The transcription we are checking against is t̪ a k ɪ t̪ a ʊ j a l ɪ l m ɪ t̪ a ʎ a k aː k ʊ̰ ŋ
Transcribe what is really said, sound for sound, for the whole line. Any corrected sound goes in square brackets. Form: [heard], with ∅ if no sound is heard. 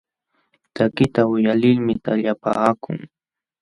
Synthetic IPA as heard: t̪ a k ɪ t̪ a ʊ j a l ɪ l m ɪ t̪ a ʎ a [p] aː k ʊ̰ ŋ